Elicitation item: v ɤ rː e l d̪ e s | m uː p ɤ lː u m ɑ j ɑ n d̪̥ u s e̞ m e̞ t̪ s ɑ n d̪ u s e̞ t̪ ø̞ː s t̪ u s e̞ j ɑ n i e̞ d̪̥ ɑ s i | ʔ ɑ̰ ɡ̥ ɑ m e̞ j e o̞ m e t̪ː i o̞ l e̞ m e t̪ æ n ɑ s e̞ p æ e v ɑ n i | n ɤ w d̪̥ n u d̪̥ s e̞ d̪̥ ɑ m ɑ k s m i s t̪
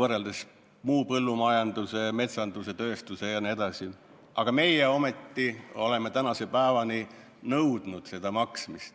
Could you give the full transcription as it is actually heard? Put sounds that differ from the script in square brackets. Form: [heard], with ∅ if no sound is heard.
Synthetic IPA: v ɤ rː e l d̪ e s | m uː p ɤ lː u m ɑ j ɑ n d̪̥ u s e̞ m e̞ t̪ s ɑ n d̪ u s e̞ t̪ ø̞ː s t̪ u s e̞ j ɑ n i e̞ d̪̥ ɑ s i | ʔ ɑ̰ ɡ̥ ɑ m e̞ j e o̞ m e t̪ː i o̞ l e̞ m e t̪ æ n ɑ s e̞ p æ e v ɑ n i | n ɤ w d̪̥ n u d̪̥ s e̞ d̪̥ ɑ m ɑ k s m i s t̪